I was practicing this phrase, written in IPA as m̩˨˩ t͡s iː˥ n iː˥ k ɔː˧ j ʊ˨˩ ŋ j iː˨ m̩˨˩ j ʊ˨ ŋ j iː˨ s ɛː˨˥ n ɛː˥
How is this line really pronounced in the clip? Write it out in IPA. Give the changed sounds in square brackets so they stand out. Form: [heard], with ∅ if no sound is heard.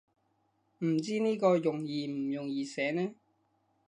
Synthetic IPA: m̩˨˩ t͡s iː˥ n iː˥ k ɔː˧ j ʊ˨˩ ŋ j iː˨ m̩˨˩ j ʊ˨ ŋ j iː˨ s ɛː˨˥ n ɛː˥